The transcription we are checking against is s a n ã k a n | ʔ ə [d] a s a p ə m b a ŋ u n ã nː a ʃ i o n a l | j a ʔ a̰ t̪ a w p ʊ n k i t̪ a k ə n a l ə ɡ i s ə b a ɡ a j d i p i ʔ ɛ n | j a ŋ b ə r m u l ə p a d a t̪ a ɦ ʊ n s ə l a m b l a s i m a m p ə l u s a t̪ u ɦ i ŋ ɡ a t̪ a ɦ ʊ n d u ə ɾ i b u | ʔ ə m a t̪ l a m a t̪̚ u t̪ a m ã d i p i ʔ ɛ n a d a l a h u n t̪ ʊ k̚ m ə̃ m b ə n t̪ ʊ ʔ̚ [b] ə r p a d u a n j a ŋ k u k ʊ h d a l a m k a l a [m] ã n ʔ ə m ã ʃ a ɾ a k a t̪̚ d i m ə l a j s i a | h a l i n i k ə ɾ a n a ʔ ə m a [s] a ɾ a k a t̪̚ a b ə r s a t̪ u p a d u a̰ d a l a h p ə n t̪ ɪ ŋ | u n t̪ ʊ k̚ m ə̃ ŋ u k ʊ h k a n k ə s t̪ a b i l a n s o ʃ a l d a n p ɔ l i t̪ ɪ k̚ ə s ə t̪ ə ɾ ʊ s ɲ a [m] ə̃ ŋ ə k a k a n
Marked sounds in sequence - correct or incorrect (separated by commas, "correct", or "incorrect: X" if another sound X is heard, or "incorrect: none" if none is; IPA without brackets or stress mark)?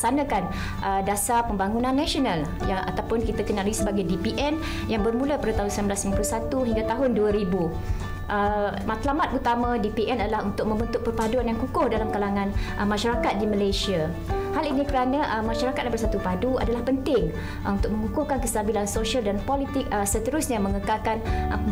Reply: correct, incorrect: p, incorrect: ŋ, incorrect: ʃ, correct